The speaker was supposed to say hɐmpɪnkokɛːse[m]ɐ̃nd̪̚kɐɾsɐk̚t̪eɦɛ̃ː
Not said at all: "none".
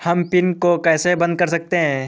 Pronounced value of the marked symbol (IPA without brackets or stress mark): b